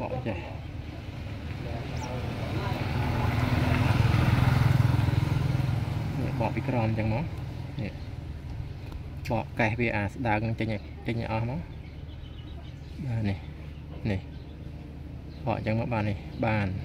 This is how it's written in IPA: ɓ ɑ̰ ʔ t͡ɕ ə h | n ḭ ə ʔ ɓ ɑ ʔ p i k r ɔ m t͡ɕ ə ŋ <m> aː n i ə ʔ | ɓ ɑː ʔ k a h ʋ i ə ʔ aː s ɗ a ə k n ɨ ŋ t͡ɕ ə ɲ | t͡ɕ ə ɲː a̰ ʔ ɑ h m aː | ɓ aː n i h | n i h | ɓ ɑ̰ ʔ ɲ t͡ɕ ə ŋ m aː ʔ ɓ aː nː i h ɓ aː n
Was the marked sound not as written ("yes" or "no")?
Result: no